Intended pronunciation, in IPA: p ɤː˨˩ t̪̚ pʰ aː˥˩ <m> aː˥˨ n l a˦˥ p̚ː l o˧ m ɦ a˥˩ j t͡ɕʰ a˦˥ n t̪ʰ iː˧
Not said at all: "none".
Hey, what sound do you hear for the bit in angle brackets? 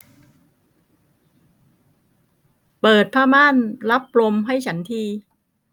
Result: m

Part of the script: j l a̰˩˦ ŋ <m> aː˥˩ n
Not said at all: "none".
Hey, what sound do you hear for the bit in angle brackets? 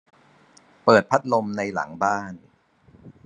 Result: b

